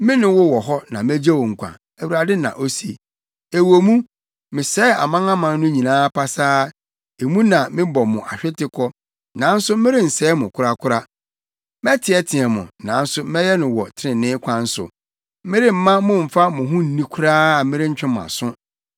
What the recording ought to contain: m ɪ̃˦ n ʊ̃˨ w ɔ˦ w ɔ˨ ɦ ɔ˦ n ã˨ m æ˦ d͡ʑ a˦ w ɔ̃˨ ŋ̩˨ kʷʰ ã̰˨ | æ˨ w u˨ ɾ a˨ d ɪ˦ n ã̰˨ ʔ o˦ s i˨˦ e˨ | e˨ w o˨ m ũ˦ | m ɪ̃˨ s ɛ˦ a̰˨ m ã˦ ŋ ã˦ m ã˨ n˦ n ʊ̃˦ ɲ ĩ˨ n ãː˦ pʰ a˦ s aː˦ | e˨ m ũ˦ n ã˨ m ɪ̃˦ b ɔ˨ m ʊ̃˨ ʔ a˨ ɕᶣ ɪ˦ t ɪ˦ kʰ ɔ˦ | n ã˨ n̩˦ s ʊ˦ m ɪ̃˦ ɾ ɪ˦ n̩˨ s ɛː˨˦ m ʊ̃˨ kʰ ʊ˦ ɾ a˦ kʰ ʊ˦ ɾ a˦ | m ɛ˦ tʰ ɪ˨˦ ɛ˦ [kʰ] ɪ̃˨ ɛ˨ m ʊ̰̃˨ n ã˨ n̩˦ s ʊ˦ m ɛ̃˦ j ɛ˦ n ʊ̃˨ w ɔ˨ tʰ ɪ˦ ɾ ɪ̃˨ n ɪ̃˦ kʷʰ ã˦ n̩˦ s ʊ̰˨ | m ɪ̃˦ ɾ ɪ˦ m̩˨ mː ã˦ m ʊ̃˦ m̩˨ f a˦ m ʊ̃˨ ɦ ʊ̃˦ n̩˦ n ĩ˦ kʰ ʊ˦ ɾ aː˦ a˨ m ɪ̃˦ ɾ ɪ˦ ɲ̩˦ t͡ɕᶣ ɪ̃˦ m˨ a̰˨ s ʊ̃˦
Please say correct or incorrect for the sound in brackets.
incorrect